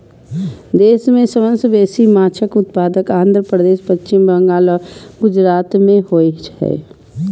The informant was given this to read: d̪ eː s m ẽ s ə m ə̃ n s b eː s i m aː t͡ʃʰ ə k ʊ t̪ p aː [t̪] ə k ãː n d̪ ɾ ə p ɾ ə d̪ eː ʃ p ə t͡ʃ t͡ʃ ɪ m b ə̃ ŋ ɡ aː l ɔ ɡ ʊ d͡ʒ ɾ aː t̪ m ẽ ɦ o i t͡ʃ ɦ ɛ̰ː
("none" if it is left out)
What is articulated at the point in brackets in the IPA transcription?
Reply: d̪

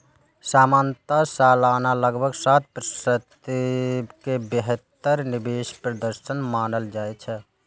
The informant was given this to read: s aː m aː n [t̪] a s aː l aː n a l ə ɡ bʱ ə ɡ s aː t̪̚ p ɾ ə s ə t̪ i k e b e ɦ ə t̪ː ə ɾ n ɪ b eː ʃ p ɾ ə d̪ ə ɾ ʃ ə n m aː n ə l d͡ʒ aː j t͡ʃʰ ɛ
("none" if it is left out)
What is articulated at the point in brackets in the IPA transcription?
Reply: t̪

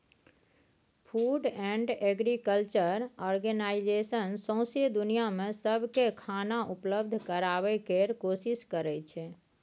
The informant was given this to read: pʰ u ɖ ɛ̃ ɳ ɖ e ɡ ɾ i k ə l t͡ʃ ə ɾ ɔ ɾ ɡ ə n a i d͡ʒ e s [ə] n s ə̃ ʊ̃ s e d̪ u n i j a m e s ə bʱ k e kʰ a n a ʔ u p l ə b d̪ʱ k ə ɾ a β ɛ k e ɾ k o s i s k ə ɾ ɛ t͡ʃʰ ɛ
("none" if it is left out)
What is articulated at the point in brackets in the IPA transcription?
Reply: ə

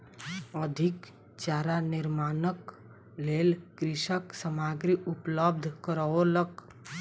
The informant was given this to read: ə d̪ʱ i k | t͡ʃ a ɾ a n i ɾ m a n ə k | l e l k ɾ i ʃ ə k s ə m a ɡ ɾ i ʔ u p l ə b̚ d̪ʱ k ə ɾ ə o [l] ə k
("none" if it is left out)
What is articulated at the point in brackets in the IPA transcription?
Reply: l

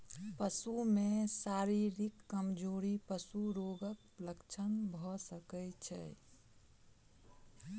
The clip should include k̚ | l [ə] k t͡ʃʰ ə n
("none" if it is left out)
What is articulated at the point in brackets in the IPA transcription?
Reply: ə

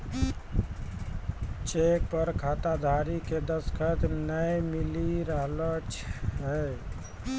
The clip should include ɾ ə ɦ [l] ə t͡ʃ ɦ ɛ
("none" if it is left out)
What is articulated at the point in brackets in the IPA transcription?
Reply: l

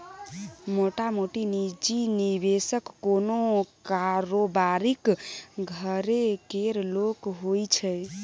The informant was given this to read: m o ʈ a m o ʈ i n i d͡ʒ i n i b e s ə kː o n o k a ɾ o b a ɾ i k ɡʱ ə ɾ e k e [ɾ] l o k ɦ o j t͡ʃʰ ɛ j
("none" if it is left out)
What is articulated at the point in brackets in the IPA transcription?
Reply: ɾ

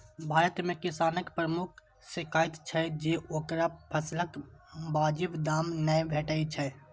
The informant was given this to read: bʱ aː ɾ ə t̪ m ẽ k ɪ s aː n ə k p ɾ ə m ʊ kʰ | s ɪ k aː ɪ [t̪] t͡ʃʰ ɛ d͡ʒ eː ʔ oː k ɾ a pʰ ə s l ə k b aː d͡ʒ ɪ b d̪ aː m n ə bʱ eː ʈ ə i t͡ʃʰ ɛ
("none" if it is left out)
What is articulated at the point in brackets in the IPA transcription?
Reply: t̪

